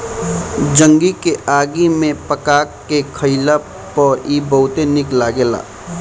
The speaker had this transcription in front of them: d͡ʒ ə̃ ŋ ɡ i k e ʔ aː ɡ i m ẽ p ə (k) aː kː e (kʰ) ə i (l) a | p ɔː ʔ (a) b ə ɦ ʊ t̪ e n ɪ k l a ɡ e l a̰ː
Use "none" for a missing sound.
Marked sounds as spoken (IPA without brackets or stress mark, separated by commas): k, kʰ, l, i